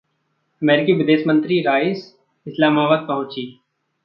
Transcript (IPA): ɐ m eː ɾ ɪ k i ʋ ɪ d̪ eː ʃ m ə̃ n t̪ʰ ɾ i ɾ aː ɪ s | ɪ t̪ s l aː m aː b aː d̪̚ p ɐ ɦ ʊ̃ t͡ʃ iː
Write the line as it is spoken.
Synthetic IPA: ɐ m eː ɾ ɪ k i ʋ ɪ d̪ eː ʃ m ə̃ n t̪ ɾ i ɾ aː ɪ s | ɪ s l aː m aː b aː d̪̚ p ɐ ɦ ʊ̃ t͡ʃ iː

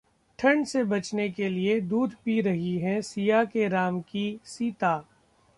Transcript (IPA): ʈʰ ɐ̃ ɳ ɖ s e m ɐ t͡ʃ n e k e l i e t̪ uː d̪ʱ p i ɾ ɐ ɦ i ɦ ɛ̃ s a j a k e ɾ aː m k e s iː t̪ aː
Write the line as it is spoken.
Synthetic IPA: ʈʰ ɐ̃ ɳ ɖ s e b ɐ t͡ʃ n e k e l i e d̪ uː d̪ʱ p i ɾ ɐ ɦ i ɦ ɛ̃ s i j a k e ɾ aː m k i s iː t̪ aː

